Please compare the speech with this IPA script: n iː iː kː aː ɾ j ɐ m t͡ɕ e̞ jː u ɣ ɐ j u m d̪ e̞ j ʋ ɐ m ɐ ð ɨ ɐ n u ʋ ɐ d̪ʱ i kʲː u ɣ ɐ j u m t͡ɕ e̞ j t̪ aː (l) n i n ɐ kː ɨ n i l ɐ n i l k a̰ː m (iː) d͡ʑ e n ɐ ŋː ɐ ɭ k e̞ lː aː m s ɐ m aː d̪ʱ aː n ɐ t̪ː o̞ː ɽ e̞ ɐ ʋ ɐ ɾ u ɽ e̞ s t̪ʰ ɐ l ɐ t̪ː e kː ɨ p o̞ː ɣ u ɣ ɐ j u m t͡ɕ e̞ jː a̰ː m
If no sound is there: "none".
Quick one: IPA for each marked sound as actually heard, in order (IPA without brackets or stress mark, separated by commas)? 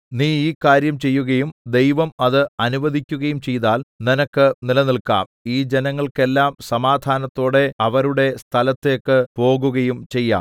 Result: l, iː